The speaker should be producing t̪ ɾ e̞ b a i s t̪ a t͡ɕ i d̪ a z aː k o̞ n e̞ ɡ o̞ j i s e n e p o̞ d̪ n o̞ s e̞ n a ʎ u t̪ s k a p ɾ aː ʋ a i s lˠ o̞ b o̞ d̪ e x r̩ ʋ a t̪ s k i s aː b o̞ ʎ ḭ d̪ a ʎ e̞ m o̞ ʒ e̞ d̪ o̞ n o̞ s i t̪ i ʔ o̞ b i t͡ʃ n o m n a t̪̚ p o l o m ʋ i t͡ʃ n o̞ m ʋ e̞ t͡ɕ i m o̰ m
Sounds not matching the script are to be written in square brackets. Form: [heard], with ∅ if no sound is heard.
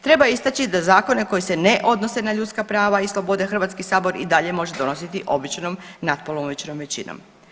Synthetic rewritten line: t̪ ɾ e̞ b a i s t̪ a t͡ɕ i d̪ a z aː k o̞ n e̞ [k] o̞ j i s e n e [ʔ] o̞ d̪ n o̞ s e̞ n a ʎ u t̪ s k a p ɾ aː ʋ a i s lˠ o̞ b o̞ d̪ e x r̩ ʋ a t̪ s k i s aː b o̞ [ɾ] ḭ d̪ a ʎ e̞ m o̞ ʒ e̞ d̪ o̞ n o̞ s i t̪ i ʔ o̞ b i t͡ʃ n o m n a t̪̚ p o l o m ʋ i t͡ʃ n o̞ m ʋ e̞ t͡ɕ i [n] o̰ m